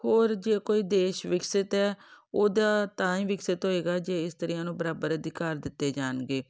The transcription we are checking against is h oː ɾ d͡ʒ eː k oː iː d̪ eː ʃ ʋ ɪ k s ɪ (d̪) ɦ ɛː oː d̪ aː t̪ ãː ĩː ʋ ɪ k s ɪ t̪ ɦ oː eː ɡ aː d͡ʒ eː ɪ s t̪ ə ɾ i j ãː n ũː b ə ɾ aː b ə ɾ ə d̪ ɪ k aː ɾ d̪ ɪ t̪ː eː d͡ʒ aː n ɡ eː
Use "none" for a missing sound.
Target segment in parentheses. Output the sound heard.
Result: t̪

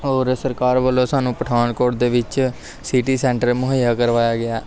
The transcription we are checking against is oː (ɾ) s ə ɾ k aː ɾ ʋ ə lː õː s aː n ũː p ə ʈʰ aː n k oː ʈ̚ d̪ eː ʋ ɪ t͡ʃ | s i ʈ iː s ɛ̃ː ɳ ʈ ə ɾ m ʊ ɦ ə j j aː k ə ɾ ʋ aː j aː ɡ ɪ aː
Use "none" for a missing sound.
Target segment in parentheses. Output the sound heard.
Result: ɾ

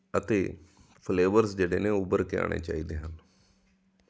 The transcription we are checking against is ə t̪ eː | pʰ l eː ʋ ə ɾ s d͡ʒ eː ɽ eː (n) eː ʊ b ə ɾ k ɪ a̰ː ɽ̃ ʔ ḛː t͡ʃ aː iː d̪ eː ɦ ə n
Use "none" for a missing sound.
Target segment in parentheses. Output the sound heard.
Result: n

